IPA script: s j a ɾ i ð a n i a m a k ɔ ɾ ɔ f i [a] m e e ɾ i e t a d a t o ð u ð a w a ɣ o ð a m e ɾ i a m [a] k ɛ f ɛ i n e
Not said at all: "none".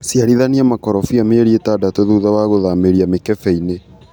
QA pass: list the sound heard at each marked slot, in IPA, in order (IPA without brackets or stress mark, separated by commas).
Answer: a, e